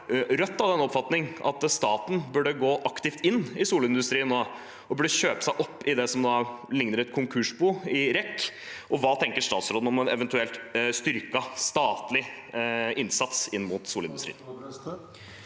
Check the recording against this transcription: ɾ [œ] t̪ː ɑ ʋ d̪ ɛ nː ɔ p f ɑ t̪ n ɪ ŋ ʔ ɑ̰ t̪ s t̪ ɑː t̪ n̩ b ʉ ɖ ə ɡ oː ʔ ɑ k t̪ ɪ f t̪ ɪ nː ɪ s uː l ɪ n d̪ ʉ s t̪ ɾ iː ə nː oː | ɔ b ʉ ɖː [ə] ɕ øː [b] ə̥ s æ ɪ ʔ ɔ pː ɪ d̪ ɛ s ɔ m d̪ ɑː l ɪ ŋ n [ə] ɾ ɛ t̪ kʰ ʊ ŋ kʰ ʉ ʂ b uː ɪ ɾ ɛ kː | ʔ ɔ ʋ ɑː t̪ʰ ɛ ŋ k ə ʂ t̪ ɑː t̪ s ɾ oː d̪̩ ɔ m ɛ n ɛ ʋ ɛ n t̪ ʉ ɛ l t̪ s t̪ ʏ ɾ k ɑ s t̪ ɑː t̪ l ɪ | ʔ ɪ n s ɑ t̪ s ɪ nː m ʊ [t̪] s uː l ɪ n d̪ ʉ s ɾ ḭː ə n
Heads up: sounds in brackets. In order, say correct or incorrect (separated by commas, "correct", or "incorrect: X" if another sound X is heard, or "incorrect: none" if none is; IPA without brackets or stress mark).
correct, correct, incorrect: p, correct, correct